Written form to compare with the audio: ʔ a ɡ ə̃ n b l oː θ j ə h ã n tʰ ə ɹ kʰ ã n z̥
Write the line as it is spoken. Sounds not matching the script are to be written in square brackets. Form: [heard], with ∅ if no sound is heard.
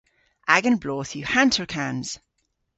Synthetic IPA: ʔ a ɡ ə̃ n b l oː θ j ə h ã n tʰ ə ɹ kʰ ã n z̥